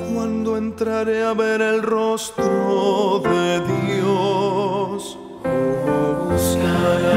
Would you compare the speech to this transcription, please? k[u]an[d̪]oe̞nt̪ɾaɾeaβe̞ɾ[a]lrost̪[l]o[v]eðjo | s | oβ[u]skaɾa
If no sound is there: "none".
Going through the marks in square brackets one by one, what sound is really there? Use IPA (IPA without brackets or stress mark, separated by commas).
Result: w, d̪, e, ɾ, ð, u